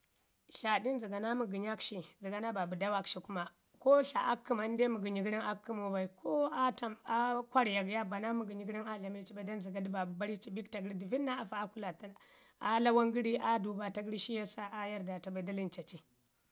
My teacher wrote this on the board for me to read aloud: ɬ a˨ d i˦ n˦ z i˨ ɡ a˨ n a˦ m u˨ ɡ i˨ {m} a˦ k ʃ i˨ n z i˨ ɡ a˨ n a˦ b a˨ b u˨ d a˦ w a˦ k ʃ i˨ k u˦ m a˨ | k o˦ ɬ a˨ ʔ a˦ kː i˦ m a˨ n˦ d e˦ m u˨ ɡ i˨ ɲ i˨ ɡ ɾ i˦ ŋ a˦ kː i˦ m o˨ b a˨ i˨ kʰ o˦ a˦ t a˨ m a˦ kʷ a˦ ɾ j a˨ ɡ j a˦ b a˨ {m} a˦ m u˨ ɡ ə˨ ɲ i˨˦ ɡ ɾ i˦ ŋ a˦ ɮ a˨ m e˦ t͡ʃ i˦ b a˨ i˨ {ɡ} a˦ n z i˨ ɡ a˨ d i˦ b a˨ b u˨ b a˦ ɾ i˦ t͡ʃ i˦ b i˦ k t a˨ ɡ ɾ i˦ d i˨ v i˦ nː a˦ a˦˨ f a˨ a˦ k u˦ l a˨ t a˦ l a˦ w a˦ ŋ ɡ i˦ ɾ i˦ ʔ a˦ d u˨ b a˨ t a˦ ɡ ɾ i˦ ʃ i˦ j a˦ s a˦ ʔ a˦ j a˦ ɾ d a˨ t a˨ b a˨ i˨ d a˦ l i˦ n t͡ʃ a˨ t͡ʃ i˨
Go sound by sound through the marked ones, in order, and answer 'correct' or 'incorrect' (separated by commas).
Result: incorrect, incorrect, incorrect